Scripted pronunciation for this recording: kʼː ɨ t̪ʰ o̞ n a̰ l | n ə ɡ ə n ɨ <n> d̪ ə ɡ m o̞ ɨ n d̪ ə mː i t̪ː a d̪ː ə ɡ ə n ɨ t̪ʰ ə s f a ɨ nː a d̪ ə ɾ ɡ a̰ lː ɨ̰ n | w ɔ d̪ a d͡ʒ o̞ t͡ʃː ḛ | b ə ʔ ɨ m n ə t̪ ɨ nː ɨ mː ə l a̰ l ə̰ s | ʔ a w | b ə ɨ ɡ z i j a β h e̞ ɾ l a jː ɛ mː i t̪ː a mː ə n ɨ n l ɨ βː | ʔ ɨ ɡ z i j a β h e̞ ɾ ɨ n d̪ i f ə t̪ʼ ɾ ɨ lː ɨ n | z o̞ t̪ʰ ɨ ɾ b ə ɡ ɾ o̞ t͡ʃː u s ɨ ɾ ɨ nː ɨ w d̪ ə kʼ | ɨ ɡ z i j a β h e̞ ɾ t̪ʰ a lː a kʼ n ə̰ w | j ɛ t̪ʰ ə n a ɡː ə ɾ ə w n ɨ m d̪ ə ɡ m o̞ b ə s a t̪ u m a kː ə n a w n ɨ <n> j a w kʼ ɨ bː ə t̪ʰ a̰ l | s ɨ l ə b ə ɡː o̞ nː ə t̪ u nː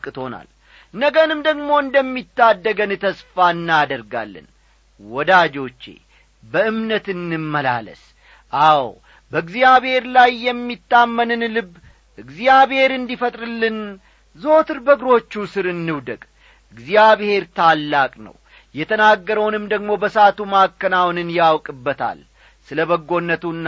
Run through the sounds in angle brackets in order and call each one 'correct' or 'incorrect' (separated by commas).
incorrect, correct